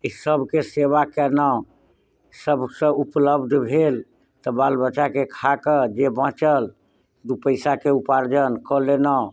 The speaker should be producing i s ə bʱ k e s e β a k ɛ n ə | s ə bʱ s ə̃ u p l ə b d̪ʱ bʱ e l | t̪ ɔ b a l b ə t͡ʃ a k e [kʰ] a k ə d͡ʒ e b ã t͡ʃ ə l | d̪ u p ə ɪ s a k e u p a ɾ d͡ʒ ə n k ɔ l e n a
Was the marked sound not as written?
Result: no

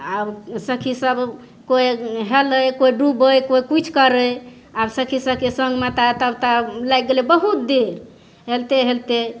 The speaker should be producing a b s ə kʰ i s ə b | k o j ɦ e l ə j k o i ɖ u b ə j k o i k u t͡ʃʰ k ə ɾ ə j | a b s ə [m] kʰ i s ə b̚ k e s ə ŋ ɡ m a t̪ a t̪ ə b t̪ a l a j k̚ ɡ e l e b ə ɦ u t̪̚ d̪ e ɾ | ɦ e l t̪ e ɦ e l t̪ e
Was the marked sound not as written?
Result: yes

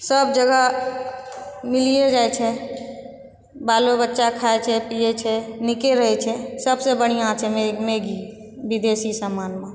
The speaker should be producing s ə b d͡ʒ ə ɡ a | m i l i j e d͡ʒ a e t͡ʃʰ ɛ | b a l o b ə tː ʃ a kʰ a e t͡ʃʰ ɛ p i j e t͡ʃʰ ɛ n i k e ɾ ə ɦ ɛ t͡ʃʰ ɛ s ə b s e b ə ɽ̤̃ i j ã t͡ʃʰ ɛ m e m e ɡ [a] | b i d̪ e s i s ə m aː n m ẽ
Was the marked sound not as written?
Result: yes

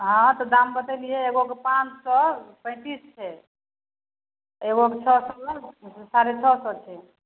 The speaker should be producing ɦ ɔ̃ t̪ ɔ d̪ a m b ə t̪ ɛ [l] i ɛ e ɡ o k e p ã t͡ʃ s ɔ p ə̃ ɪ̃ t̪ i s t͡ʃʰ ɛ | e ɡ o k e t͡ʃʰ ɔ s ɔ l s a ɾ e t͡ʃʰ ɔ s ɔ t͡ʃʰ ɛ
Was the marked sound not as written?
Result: no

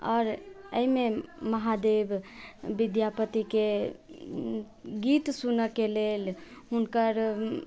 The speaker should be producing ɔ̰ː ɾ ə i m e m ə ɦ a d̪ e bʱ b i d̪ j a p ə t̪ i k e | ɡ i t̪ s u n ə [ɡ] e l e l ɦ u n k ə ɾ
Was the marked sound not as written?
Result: yes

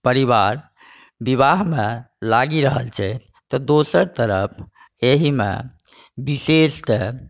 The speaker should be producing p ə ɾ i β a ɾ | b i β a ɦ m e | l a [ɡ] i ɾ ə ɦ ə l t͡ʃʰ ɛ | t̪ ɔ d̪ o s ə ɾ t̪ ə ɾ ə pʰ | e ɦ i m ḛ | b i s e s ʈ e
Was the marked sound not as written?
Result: no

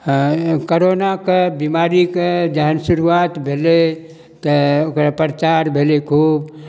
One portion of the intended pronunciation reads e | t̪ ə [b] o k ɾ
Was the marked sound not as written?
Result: yes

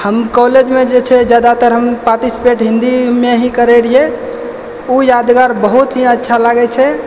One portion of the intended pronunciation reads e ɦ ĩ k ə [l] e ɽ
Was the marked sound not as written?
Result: yes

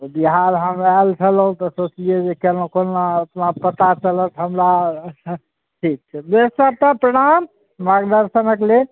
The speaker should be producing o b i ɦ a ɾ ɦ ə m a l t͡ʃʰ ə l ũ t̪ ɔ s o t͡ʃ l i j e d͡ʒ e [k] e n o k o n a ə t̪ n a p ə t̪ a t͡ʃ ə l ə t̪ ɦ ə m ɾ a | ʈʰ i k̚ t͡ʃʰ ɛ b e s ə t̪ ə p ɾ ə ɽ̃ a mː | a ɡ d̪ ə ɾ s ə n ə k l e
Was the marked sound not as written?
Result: no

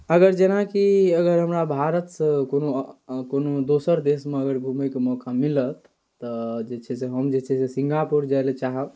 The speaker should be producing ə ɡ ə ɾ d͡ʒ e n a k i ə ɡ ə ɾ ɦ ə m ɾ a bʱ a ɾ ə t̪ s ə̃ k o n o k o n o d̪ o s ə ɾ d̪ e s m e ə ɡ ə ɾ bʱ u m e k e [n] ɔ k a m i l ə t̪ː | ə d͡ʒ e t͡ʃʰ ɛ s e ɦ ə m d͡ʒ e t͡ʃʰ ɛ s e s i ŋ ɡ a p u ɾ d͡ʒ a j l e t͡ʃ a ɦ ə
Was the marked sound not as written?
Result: yes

